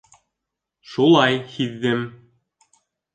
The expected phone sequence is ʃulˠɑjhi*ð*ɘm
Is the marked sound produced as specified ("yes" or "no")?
no